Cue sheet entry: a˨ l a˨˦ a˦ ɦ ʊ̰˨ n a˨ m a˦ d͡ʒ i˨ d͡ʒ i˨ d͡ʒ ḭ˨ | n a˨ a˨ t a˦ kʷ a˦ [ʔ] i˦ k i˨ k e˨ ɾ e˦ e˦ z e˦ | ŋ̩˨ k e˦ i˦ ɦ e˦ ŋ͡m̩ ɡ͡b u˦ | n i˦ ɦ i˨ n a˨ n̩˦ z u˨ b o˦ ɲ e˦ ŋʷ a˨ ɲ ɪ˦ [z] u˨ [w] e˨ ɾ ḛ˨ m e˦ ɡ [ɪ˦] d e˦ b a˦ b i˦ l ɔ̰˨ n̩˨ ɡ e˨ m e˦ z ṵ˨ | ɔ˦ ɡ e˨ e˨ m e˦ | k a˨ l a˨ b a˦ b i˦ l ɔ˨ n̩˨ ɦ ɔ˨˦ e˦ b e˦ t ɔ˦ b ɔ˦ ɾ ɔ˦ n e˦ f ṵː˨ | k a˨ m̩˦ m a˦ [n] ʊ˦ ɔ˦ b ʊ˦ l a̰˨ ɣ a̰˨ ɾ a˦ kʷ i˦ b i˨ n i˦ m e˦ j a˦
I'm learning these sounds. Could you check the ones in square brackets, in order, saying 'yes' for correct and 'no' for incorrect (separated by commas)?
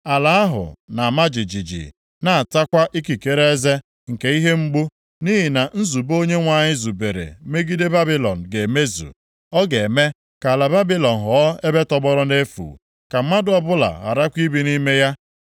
yes, yes, no, no, no